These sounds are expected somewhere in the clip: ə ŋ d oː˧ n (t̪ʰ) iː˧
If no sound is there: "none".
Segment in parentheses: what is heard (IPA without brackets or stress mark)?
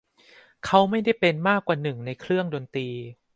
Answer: t̪